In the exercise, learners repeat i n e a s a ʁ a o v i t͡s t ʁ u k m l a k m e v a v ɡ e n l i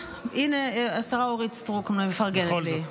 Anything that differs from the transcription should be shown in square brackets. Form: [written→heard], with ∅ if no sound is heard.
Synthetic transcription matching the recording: i n e a s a ʁ a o [v→ʁ] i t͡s t ʁ u k m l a [k→∅] m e [v→f] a [v→ʁ] ɡ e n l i